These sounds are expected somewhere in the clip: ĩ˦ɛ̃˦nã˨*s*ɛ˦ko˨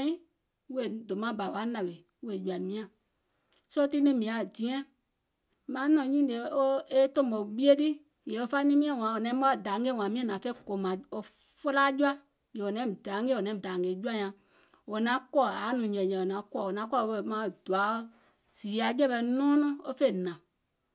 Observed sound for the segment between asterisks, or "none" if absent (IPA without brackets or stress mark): f